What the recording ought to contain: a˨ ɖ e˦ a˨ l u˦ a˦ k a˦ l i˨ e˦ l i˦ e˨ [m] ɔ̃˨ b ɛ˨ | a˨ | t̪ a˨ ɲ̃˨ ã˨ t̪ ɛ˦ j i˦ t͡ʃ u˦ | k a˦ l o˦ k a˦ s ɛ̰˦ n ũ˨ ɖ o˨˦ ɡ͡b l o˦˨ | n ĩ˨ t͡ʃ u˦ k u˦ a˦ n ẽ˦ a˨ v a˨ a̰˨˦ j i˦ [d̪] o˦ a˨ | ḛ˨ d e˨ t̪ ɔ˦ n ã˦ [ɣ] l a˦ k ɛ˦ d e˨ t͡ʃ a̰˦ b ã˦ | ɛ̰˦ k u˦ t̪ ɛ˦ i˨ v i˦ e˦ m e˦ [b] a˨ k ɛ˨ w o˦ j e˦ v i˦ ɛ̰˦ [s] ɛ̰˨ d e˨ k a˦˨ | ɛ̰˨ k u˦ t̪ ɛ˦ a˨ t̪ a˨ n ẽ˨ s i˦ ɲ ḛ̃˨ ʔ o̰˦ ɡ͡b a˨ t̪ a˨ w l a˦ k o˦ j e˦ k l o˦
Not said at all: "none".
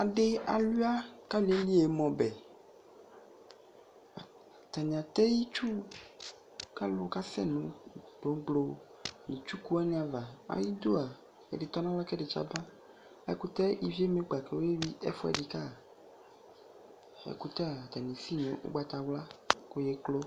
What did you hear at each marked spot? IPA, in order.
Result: m, d̪, w, ɡ͡b, f

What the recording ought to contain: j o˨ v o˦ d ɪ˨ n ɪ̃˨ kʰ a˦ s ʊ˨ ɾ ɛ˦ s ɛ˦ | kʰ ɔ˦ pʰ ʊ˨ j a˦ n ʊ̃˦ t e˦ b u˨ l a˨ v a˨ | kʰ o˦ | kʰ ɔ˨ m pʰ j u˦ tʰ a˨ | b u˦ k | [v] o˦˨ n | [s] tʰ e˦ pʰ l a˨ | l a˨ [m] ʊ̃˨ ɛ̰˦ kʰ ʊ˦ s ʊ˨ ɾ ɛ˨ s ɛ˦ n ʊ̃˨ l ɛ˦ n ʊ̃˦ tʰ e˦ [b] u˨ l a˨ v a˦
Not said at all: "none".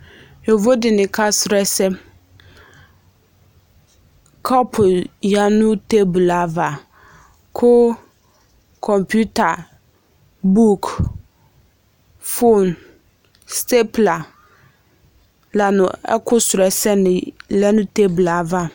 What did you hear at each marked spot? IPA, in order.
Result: f, s, n, b

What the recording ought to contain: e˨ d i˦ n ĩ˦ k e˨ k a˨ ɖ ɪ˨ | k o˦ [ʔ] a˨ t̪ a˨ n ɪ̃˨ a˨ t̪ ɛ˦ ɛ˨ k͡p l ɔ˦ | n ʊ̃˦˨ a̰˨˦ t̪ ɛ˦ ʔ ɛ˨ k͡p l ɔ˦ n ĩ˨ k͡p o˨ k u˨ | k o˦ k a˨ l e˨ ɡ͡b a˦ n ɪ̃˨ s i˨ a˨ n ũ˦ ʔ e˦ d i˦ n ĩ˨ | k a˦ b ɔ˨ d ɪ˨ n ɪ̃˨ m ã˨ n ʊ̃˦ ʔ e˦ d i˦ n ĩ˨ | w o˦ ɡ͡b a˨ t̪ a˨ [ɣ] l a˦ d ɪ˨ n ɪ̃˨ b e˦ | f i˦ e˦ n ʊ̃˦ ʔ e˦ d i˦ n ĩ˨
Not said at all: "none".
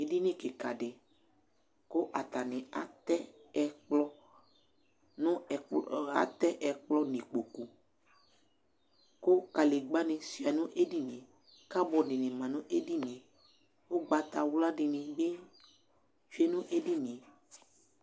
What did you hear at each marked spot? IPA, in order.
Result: ʔ, w

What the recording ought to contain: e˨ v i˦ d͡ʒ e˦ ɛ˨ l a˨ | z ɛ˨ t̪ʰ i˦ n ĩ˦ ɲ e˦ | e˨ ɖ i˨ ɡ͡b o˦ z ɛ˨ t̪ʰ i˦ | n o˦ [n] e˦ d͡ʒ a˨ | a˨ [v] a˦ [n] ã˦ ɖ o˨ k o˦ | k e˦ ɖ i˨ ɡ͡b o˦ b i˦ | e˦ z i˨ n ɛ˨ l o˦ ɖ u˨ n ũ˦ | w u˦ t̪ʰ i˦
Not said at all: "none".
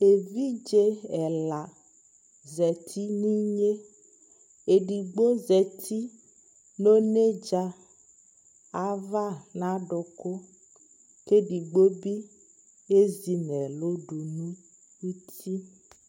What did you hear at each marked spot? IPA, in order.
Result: n, v, n

